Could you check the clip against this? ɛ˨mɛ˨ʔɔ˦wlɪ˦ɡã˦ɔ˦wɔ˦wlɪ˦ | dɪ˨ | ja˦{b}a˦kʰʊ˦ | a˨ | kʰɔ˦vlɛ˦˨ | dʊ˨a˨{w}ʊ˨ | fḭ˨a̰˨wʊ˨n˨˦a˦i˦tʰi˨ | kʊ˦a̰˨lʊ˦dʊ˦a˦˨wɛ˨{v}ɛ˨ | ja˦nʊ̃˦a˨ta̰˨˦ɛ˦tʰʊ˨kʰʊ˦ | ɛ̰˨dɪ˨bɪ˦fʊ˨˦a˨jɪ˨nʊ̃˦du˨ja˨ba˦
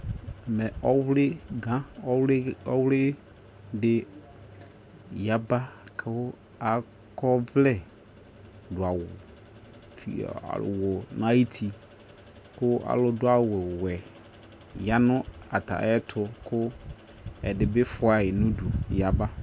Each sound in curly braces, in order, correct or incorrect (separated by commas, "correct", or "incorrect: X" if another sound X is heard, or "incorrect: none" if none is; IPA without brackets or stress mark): correct, correct, incorrect: w